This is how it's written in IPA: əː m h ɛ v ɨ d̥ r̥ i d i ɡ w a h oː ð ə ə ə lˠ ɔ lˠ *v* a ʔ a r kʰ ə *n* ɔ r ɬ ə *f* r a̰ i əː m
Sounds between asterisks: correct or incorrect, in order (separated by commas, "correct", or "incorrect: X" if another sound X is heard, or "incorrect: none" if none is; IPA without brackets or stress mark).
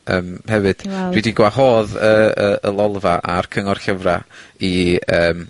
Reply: correct, incorrect: ŋ, incorrect: v